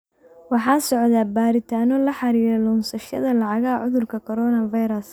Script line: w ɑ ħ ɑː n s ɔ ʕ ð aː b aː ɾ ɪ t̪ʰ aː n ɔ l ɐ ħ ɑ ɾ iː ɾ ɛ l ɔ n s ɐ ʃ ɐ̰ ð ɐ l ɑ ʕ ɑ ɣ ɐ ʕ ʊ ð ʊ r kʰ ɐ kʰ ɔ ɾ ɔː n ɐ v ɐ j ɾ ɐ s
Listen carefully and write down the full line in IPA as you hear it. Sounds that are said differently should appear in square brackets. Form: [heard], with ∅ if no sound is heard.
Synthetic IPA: w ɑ ħ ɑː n s ɔ ʕ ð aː b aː ɾ ɪ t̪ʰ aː n ɔ l ɐ ħ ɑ ɾ iː ɾ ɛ l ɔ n s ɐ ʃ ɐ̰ ð ɐ l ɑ ʕ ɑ ɣ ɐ ʕ ʊ ð ʊ r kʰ ɐ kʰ ɔ ɾ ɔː n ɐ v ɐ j ɾ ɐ s